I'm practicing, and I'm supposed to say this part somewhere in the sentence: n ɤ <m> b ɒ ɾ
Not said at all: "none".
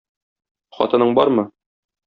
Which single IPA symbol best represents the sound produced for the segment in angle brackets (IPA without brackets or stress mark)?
ɴ